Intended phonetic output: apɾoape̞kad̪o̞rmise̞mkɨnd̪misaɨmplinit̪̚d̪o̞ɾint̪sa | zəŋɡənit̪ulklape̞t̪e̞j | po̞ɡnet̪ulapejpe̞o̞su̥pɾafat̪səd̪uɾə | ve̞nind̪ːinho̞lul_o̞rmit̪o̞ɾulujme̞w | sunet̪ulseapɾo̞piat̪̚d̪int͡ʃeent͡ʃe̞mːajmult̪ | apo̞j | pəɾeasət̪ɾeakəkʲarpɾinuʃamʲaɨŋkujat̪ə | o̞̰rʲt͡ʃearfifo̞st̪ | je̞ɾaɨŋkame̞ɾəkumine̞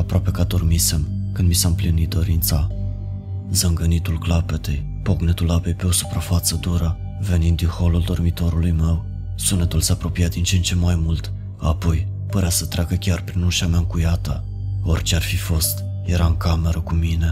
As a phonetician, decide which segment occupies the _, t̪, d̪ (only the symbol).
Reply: d̪